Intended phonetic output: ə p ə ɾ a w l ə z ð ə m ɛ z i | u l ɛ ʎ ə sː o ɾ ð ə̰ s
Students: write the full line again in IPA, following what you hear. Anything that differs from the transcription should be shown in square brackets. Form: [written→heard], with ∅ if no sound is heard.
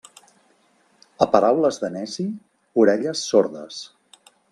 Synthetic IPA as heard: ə p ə ɾ a w l ə z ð ə [m→n] ɛ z i | u [l→ɾ] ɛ ʎ ə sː o ɾ ð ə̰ s